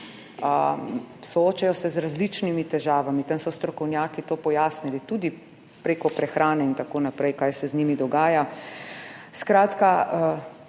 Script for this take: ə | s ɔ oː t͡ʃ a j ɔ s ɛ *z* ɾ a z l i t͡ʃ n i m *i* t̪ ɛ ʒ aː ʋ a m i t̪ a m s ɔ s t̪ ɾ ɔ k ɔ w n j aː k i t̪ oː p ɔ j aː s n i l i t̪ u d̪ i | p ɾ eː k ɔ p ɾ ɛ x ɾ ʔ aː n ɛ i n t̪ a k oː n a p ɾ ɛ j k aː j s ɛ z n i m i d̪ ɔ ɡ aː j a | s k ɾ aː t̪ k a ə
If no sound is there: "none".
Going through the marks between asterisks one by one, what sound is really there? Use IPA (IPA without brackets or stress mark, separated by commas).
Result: z, i